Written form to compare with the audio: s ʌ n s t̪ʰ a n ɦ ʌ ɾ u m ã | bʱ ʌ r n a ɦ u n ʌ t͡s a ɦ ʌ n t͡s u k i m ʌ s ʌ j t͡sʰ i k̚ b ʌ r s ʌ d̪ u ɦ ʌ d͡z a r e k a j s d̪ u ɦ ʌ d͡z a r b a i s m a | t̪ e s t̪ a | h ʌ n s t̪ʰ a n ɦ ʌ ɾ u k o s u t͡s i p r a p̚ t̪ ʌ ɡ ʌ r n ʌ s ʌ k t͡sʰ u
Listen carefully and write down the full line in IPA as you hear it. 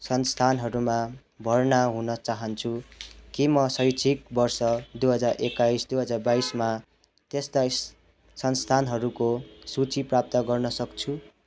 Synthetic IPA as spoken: s ʌ n s t̪ʰ a n ɦ ʌ ɾ u m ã | bʱ ʌ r n a ɦ u n ʌ t͡s a ɦ ʌ n t͡sʰ u k i m ʌ s ʌ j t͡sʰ i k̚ b ʌ r s ʌ d̪ u ɦ ʌ d͡z a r e k a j s d̪ u ɦ ʌ d͡z a r b a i s m a | t̪ e s t̪ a | s ʌ n s t̪ʰ a n ɦ ʌ ɾ u k o s u t͡s i p r a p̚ t̪ ʌ ɡ ʌ r n ʌ s ʌ k t͡sʰ u